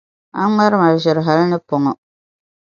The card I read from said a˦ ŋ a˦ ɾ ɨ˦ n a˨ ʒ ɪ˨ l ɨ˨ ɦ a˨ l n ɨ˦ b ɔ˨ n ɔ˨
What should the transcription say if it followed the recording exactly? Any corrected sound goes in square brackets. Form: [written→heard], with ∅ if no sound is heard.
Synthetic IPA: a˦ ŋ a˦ ɾ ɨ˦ [n→m] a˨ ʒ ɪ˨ [l→ɾ] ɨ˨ ɦ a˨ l n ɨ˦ [b→p] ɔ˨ [n→ŋ] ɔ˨